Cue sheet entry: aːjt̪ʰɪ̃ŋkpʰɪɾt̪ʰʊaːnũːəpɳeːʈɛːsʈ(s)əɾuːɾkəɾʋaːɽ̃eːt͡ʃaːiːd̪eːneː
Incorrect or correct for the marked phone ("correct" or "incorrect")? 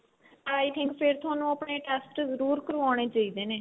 incorrect